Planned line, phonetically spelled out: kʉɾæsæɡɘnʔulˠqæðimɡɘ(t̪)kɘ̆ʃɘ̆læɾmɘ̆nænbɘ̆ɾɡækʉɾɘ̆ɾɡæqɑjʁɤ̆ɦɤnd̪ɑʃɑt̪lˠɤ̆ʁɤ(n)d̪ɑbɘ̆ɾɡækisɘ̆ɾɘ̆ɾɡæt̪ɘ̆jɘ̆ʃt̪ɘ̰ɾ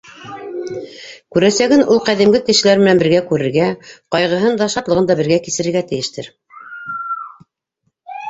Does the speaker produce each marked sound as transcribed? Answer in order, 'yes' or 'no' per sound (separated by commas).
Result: no, yes